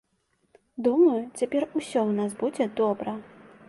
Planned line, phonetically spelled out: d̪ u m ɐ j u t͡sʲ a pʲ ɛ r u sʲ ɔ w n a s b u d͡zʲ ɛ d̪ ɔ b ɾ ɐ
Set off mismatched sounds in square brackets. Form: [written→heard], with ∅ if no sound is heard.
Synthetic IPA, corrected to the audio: d̪ u m ɐ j u t͡sʲ a pʲ ɛ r u sʲ ɔ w n a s b u d͡zʲ ɛ d̪ ɔ b ɾ ɐ